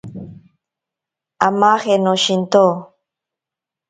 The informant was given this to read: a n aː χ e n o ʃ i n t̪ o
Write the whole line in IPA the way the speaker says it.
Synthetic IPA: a m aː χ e n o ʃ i n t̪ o